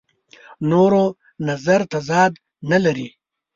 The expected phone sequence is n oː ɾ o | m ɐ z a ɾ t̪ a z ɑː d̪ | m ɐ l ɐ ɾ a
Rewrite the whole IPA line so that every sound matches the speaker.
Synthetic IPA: n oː ɾ o | n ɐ z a ɾ t̪ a z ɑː d̪ | n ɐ l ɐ ɾ i